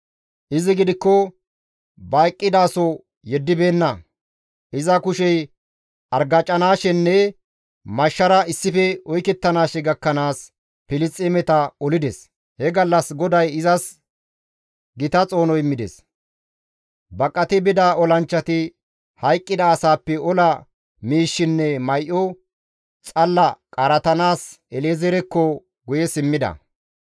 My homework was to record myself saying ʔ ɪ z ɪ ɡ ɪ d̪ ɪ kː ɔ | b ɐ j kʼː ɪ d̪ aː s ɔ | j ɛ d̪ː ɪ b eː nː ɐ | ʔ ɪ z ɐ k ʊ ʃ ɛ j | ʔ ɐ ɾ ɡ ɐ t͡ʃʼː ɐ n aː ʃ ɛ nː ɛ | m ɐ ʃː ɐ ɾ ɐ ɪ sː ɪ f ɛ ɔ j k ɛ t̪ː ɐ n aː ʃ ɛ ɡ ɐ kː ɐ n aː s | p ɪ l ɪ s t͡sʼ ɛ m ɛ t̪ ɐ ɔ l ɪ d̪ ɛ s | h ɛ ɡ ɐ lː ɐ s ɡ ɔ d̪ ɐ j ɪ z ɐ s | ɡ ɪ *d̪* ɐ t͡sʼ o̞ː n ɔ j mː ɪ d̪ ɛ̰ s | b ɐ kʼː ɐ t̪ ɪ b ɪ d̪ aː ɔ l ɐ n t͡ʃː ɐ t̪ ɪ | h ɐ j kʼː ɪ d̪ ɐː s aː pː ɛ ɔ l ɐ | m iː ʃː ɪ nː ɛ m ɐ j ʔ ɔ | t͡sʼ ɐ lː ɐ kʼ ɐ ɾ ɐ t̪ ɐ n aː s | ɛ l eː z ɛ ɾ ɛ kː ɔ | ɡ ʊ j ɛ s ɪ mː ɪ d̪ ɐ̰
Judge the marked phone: incorrect: t̪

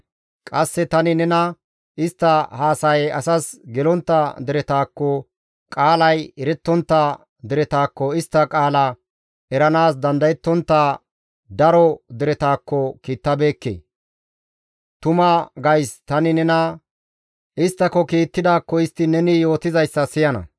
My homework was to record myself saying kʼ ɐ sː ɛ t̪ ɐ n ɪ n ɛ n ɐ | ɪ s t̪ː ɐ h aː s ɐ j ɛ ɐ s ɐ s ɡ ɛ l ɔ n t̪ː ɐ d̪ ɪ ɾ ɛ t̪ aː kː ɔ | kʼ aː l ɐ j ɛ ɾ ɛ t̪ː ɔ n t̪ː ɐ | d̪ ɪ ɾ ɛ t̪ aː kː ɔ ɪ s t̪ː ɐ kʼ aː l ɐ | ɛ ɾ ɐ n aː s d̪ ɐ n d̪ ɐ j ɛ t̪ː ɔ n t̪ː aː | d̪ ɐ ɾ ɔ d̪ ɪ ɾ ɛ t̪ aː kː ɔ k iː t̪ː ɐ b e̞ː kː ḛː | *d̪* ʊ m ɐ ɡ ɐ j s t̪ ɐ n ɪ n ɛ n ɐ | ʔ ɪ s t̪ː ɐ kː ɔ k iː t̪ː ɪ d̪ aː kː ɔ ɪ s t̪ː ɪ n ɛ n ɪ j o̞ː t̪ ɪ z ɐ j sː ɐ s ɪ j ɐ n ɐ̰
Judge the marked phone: incorrect: t̪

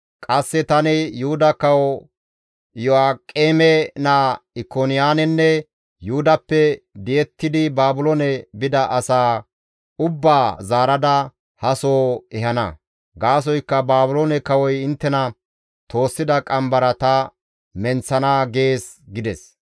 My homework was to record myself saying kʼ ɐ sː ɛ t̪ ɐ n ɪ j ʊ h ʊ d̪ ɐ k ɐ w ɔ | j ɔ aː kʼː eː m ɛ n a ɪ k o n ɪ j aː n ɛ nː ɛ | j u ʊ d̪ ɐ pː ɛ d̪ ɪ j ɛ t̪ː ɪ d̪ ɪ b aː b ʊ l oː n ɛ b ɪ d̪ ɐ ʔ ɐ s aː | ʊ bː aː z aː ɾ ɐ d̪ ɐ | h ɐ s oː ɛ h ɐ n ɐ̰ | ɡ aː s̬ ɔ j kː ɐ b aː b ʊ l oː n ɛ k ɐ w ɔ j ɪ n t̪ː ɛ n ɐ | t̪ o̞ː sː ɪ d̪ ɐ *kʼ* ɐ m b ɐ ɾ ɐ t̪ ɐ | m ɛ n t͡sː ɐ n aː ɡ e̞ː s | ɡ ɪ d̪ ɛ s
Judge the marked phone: correct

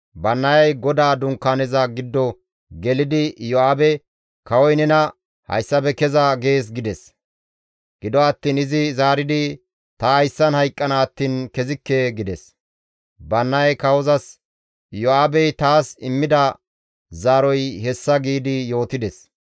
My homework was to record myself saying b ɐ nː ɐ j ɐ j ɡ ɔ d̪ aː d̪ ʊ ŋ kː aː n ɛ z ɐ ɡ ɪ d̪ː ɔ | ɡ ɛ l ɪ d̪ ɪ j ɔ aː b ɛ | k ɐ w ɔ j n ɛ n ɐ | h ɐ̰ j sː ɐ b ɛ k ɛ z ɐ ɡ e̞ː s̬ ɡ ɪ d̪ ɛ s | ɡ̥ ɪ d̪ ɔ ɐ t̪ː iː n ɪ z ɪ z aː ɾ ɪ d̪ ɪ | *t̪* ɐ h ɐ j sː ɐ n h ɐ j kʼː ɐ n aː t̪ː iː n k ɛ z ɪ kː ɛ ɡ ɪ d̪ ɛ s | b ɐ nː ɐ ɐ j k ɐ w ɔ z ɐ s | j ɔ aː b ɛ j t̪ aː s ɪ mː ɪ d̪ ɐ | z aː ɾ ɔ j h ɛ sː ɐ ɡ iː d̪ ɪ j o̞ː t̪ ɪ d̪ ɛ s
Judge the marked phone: correct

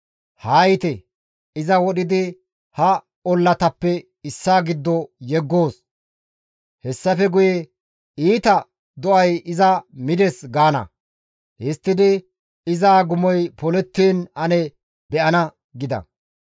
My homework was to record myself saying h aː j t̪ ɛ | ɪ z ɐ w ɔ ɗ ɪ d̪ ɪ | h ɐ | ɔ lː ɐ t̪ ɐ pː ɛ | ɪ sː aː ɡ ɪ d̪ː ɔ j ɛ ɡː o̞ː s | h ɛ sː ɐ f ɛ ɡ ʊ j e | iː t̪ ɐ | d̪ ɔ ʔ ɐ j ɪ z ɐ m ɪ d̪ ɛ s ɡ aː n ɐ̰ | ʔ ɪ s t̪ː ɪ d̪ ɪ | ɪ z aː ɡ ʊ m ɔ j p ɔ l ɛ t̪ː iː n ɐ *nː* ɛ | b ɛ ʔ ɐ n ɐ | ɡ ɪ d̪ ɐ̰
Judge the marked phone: incorrect: n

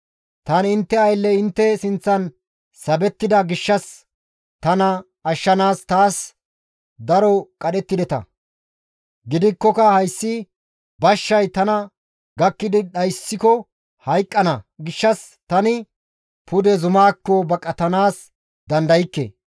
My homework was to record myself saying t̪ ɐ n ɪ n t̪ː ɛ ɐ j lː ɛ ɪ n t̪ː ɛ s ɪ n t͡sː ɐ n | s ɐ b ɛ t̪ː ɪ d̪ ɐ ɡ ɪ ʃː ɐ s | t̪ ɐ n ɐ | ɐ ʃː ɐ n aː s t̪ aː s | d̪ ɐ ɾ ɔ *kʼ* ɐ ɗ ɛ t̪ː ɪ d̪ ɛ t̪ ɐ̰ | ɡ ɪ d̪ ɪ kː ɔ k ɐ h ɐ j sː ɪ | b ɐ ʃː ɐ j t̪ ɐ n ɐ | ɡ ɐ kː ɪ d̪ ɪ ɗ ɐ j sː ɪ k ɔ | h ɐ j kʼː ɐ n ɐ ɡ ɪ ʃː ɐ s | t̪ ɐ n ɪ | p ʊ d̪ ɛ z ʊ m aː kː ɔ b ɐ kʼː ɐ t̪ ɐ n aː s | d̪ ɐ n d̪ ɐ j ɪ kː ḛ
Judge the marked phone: correct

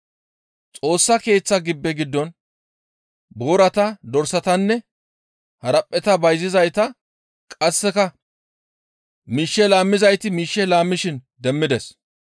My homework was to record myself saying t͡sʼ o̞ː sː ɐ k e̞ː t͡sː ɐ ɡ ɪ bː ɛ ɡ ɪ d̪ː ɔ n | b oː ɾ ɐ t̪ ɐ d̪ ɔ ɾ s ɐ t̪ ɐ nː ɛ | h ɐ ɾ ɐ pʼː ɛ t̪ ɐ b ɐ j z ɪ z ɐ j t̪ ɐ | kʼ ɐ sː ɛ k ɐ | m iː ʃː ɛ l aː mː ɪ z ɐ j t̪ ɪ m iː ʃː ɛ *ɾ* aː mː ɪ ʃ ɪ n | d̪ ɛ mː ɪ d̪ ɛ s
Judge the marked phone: incorrect: l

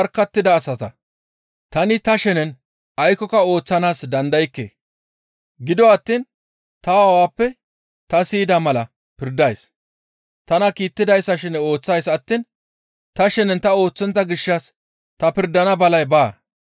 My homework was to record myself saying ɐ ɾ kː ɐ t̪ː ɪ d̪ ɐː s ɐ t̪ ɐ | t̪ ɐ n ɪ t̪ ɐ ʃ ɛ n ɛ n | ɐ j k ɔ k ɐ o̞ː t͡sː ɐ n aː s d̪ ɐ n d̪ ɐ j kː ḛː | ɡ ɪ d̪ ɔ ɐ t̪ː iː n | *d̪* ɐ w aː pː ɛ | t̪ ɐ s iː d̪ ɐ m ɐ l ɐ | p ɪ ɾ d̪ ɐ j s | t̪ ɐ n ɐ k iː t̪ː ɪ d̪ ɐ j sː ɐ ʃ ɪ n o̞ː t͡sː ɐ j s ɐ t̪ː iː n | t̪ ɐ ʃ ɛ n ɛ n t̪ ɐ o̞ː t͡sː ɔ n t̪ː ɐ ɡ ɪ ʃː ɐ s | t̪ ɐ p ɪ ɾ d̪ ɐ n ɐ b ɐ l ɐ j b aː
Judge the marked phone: incorrect: t̪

